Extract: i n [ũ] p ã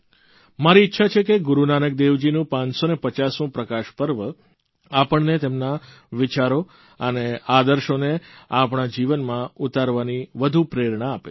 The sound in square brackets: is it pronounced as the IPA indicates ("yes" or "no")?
yes